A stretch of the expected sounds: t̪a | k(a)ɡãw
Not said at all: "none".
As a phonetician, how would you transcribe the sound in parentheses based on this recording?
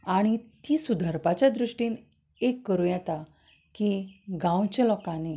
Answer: i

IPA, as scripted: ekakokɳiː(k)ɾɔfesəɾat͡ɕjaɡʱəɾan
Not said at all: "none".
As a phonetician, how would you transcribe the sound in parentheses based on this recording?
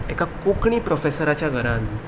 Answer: p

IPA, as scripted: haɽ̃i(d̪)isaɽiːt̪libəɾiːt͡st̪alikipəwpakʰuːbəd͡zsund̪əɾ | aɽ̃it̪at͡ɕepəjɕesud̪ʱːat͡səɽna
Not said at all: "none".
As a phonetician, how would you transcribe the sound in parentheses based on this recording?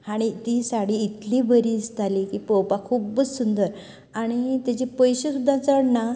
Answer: t̪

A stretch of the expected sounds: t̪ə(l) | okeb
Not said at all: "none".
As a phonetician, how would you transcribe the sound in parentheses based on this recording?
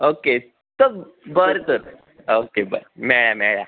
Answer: ɾ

